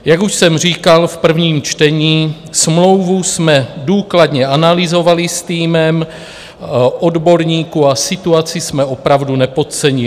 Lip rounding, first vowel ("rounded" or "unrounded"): unrounded